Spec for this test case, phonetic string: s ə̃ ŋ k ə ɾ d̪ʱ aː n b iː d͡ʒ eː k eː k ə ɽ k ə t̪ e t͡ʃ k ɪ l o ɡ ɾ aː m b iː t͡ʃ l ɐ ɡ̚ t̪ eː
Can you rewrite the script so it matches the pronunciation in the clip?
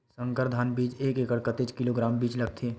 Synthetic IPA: s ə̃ ŋ k ə ɾ d̪ʱ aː n b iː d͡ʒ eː k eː k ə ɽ k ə t̪ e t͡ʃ k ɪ l o ɡ ɾ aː m b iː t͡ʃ l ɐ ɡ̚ t̪ʰ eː